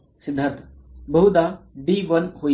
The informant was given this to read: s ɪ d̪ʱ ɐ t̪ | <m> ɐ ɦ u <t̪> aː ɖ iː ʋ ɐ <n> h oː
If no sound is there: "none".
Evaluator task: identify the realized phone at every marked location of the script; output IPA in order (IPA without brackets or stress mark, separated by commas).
b, d̪, n